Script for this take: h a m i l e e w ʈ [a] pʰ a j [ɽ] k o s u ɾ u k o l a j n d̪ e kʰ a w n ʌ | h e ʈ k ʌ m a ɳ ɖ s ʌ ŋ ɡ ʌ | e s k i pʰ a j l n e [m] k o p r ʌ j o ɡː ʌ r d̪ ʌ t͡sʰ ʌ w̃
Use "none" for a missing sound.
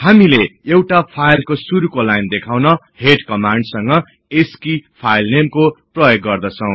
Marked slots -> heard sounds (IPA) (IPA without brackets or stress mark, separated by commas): a, l, m